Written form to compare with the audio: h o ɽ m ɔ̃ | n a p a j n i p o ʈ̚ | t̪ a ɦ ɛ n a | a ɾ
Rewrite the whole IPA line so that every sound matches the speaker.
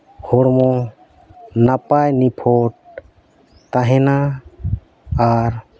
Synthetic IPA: h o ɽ m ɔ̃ | n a p a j n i pʰ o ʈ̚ | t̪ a ɦ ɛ n a | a ɾ